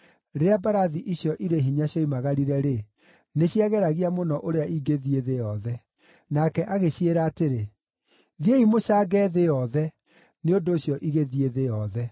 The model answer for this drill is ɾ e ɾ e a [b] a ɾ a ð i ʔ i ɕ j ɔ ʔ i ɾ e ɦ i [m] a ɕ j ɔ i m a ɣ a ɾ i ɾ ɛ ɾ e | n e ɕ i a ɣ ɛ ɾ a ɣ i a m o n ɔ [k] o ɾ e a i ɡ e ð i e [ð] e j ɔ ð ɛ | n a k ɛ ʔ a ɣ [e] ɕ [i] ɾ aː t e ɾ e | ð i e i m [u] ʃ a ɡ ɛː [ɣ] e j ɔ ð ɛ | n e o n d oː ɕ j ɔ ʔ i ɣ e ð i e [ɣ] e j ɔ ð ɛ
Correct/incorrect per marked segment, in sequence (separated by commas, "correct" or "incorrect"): correct, incorrect, incorrect, correct, correct, incorrect, incorrect, incorrect, incorrect